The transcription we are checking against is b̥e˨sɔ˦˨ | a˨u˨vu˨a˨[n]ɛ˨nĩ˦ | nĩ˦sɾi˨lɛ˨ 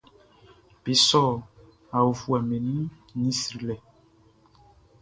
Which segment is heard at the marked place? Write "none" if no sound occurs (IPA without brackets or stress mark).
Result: m